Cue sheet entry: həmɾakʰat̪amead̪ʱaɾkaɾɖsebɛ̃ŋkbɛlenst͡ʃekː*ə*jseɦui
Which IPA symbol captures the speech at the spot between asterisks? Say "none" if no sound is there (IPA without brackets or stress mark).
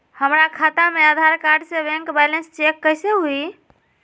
ə